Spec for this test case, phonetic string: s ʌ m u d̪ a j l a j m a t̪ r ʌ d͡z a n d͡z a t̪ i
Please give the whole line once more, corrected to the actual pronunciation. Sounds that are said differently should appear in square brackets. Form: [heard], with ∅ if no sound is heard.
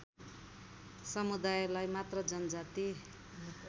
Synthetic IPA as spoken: s ʌ m u d̪ a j l a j m a t̪ r ʌ d͡z [ʌ] n d͡z a t̪ i